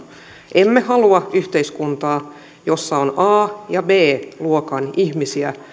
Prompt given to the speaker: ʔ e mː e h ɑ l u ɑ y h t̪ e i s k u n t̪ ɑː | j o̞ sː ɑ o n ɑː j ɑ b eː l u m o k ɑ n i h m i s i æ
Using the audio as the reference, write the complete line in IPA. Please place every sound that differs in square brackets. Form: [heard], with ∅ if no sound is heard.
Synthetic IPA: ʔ e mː e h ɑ l u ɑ y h t̪ e i s k u n t̪ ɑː | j o̞ sː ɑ o n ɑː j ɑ b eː l u [∅] o k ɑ n i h m i s i æ